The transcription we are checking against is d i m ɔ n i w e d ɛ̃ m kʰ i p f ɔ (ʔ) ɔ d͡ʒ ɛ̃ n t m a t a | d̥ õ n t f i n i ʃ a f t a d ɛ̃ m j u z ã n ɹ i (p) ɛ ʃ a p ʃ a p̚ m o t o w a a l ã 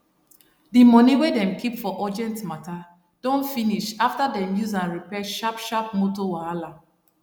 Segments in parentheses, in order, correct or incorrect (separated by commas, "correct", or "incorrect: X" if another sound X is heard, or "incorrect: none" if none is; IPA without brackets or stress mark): correct, correct